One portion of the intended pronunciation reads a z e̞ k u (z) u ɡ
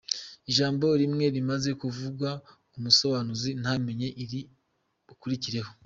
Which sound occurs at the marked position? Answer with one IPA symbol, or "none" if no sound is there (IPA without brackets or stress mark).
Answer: v